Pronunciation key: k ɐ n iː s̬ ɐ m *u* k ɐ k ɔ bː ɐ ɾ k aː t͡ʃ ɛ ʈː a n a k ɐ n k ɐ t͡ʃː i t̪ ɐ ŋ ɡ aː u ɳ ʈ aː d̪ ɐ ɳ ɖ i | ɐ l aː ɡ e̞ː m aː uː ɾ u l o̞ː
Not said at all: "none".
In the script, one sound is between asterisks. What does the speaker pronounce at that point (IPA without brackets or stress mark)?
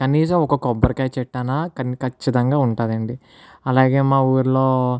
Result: ɔ